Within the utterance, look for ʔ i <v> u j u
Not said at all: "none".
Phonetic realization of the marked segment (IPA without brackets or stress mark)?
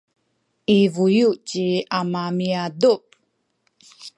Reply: v